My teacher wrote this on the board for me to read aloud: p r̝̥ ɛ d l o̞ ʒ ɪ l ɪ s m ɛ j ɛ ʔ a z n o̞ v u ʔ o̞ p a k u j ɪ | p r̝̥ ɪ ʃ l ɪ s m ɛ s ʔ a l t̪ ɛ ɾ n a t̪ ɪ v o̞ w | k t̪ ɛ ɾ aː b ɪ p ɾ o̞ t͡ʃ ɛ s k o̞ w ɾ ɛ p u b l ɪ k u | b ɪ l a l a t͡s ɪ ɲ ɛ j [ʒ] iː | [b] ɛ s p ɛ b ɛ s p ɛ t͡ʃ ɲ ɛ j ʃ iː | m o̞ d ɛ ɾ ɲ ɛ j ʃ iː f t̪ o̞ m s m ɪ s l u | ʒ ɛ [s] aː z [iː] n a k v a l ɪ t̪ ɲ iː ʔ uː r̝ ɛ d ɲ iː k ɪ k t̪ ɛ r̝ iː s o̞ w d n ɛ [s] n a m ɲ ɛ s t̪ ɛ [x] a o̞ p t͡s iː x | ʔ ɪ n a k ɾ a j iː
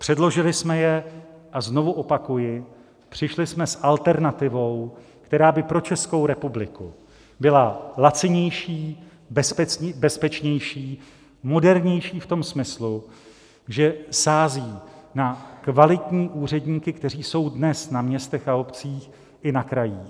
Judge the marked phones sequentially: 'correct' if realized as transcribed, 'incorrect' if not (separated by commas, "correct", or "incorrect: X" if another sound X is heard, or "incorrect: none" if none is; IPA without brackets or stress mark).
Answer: incorrect: ʃ, correct, correct, correct, correct, correct